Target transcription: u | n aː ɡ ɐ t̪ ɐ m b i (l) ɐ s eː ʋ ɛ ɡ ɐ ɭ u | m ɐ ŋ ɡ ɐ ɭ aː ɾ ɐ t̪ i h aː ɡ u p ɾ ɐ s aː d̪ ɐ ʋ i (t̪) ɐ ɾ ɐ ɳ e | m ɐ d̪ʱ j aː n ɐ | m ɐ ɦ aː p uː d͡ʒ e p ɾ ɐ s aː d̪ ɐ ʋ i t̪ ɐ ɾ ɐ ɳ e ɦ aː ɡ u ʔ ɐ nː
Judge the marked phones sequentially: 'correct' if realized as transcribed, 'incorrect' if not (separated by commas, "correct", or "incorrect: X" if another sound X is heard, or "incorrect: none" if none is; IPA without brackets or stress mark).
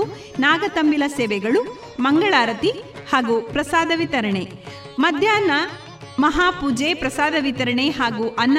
correct, correct